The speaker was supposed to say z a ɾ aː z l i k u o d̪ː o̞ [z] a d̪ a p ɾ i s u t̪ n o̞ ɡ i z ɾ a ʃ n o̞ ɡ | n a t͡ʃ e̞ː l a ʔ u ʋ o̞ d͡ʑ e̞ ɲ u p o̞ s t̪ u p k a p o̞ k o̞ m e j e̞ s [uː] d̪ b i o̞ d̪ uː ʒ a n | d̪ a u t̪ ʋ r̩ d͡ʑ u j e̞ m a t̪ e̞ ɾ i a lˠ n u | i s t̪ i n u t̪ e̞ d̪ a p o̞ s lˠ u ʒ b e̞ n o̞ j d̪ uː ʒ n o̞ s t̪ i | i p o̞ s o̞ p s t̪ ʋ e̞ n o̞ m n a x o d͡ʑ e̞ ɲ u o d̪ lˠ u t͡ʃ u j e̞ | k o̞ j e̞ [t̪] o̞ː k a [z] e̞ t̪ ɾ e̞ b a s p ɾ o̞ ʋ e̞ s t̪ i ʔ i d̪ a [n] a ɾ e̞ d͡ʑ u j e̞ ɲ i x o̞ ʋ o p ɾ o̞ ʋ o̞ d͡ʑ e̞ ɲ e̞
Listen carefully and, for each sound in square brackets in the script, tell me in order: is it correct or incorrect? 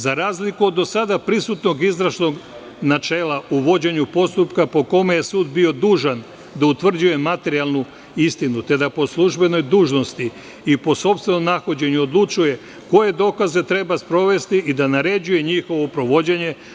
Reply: incorrect: s, correct, incorrect: d̪, correct, correct

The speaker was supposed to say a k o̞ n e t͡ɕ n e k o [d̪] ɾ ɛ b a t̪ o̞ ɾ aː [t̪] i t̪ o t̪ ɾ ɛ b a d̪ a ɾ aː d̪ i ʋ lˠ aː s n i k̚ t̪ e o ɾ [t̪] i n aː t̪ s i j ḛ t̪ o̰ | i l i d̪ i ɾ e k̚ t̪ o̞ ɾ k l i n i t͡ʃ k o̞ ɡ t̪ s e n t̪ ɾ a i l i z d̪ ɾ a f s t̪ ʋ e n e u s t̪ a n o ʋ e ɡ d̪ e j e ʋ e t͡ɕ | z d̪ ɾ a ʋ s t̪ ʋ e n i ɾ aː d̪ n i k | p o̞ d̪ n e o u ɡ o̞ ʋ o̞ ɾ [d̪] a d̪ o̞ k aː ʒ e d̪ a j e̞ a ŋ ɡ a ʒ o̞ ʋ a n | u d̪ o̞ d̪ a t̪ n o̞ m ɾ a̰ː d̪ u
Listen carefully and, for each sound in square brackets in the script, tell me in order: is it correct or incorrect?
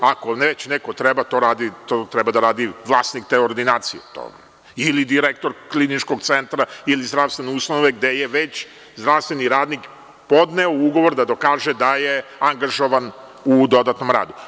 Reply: incorrect: t̪, incorrect: d̪, incorrect: d̪, correct

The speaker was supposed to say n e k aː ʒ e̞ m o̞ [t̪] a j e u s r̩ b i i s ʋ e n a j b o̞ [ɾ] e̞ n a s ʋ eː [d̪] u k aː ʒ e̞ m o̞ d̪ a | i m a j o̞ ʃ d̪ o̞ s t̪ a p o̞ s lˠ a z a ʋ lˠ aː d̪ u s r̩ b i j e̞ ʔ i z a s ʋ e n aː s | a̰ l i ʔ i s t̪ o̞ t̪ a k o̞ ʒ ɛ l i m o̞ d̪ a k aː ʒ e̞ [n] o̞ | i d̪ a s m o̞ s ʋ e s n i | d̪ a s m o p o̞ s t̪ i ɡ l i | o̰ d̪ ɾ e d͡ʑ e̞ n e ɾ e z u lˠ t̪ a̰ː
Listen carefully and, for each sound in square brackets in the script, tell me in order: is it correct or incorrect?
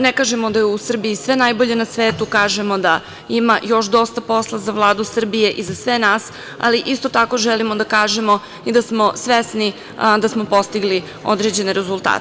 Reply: incorrect: d̪, incorrect: ʎ, incorrect: t̪, incorrect: m

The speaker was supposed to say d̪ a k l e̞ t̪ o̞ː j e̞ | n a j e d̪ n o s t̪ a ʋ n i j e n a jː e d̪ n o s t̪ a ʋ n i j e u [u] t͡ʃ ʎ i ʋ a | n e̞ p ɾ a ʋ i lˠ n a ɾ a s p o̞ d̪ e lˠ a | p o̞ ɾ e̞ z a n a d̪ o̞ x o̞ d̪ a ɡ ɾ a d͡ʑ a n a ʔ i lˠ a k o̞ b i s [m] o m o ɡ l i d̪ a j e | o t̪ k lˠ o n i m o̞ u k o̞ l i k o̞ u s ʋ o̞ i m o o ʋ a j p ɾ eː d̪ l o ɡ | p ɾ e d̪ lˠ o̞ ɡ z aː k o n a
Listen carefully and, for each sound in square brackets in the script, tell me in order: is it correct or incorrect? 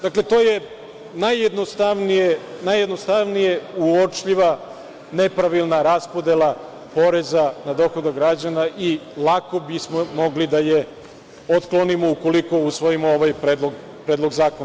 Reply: incorrect: o, correct

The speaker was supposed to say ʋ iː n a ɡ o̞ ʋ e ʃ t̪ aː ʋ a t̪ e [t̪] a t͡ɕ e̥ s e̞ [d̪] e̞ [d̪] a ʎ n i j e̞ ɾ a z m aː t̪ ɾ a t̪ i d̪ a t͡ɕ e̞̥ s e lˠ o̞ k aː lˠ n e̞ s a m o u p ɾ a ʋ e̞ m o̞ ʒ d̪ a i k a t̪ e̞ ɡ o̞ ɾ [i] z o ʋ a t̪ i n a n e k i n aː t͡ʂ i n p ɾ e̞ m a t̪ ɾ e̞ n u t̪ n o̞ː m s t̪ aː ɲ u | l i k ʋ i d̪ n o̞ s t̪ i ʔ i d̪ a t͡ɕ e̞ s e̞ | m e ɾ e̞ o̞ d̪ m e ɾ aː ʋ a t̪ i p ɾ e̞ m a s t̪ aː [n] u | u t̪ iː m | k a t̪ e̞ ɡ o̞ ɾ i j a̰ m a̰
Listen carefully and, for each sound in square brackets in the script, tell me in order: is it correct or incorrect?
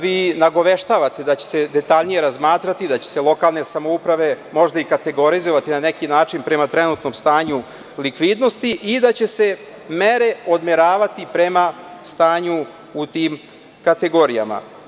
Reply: incorrect: d̪, correct, incorrect: t̪, correct, incorrect: ɲ

